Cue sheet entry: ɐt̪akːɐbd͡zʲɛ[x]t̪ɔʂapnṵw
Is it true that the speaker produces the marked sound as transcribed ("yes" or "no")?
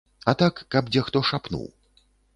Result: yes